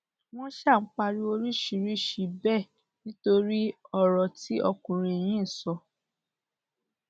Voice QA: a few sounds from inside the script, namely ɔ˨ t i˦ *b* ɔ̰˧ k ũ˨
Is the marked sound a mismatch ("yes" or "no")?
yes